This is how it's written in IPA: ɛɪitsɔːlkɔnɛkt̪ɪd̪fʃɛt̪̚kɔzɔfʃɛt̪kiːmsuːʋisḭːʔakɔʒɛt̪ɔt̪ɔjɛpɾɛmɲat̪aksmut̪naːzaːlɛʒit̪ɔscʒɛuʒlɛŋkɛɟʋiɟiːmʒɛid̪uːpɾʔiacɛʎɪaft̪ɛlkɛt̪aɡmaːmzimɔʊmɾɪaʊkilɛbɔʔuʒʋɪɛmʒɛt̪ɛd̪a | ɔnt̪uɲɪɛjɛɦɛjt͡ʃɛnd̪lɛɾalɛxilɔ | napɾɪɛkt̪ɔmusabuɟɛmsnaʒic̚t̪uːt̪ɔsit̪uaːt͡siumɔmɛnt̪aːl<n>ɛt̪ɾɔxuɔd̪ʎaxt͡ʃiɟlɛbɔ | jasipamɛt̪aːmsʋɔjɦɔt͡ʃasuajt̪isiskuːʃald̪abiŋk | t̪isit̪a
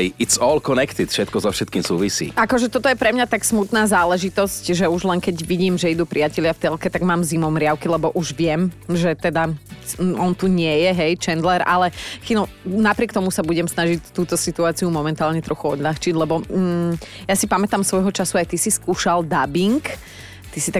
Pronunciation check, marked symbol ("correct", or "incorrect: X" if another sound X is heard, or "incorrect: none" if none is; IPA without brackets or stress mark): incorrect: ɲ